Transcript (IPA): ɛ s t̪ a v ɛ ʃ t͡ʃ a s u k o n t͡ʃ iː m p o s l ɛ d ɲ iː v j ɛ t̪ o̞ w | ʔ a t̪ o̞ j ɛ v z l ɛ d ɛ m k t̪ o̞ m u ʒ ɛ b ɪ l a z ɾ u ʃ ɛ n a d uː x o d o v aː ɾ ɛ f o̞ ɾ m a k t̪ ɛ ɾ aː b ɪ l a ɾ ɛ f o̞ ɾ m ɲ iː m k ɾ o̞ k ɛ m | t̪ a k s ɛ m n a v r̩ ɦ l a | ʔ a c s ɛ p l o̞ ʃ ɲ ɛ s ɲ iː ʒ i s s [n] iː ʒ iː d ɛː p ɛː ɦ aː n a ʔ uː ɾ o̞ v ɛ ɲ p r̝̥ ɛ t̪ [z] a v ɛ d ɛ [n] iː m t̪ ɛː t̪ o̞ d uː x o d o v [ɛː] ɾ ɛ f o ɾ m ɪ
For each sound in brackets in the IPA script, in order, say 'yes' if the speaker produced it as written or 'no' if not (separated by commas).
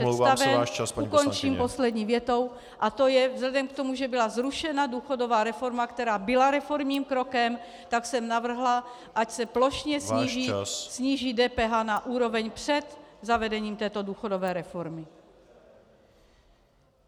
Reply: no, yes, no, yes